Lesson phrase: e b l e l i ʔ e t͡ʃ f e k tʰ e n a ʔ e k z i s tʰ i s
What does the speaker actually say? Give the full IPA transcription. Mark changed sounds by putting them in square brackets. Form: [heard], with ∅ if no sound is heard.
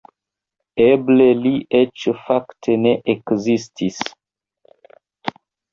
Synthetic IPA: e b l e l i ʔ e t͡ʃ f [a] k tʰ e n [e] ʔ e k z i s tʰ i s